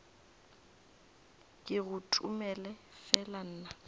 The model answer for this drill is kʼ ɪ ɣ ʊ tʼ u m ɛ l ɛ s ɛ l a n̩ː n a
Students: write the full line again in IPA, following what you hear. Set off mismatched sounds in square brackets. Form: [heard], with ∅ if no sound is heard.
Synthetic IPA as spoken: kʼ ɪ ɣ ʊ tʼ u m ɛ l ɛ [f] ɛ l a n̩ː n a